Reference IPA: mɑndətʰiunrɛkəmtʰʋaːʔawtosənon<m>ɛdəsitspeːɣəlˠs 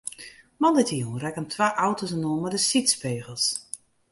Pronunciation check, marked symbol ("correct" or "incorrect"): correct